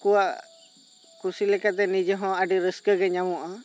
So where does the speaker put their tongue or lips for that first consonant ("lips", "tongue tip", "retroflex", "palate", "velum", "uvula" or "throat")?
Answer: velum